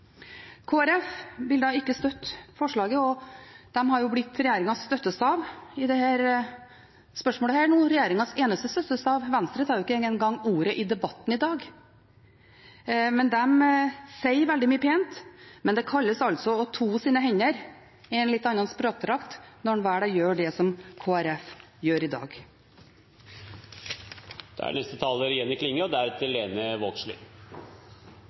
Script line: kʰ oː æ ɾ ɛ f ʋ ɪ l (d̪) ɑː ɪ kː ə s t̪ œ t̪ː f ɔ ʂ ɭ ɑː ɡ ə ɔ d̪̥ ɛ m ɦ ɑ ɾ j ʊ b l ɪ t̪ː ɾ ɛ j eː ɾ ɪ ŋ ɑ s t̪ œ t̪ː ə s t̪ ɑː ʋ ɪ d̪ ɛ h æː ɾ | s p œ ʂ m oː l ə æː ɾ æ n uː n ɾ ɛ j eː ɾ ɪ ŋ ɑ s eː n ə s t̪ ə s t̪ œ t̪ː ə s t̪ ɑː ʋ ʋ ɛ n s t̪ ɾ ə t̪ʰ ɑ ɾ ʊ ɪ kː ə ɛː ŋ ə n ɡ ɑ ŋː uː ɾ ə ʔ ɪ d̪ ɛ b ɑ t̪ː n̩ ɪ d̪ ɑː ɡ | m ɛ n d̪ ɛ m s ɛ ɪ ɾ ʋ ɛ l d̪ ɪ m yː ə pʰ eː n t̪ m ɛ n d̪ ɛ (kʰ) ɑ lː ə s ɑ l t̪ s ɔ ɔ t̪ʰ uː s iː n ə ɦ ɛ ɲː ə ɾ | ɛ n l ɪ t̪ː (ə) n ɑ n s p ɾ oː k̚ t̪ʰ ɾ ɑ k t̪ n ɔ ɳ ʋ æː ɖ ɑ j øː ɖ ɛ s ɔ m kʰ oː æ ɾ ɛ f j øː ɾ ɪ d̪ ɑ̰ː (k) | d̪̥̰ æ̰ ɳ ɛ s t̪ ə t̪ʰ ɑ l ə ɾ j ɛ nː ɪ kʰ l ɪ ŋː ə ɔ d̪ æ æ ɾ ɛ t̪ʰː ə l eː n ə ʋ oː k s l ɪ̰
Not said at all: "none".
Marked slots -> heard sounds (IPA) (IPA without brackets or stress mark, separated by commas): d̪, kʰ, ɑ, ɡ